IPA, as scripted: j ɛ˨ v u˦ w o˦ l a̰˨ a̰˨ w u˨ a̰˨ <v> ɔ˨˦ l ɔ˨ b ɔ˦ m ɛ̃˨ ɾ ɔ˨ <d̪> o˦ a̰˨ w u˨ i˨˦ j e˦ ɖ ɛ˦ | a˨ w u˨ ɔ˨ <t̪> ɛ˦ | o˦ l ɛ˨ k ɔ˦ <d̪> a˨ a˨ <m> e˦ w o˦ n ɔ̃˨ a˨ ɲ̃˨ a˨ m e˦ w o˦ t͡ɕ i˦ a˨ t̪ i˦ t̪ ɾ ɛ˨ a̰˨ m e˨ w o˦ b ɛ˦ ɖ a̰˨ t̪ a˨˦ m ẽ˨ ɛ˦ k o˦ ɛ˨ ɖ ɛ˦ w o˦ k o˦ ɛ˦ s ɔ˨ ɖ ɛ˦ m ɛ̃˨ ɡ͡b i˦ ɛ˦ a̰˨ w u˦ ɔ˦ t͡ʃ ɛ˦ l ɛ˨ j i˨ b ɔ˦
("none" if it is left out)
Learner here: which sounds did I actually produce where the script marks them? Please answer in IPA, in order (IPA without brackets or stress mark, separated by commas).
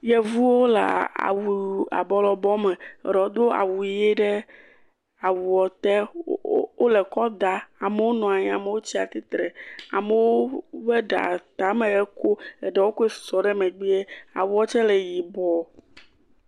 b, d̪, t̪, d̪, m